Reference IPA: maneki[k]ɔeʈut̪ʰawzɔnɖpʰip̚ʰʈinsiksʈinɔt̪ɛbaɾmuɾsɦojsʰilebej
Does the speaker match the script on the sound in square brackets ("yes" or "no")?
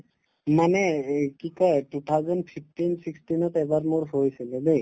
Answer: yes